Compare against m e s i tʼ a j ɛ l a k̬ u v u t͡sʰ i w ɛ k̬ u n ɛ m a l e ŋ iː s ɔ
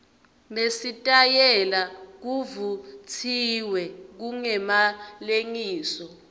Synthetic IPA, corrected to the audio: m e s i tʼ a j ɛ l a k̬ u v u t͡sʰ i w ɛ k̬ u ŋ ɛ m a l e ŋ iː s ɔ